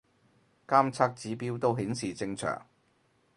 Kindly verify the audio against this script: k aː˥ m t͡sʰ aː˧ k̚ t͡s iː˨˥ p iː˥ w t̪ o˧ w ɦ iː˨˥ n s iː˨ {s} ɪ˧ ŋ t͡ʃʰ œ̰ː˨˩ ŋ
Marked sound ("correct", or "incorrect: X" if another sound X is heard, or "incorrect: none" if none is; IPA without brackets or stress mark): incorrect: t͡s